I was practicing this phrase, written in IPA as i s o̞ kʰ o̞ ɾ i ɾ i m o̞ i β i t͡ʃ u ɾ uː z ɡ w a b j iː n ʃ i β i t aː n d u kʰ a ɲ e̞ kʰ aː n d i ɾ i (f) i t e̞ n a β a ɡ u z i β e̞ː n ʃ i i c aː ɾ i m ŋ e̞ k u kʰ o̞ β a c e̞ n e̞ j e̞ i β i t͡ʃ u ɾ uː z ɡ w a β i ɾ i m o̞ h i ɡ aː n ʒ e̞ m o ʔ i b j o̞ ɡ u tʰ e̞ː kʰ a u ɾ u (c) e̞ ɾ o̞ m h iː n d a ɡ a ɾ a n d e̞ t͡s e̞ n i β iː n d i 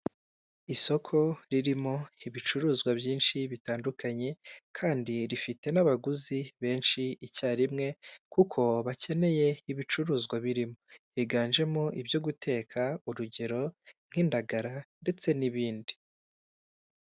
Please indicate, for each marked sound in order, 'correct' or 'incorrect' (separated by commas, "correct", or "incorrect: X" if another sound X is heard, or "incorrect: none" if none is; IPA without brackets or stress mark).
correct, incorrect: ɟ